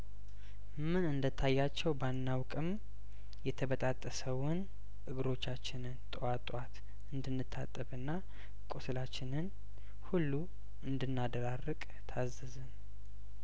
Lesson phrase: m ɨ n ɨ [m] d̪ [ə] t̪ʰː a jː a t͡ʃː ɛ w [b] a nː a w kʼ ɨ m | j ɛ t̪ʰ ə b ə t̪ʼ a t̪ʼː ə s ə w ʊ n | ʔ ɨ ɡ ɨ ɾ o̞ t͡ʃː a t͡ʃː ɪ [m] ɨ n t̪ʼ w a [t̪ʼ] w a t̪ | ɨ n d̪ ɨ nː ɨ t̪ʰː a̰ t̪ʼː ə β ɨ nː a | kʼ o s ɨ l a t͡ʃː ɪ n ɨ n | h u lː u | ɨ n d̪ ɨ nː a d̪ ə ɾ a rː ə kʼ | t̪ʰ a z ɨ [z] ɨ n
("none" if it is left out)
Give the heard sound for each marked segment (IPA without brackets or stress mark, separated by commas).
n, ə, b, n, t̪ʼ, z